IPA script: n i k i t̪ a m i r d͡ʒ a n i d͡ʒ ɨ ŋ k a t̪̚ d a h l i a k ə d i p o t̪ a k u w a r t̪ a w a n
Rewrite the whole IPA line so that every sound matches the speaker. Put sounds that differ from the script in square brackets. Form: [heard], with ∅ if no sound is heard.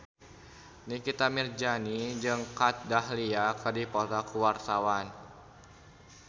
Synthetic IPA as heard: n i k i t̪ a m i r d͡ʒ a n i d͡ʒ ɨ ŋ k a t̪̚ d a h l i a k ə d i p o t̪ a k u w a r t̪ a w a n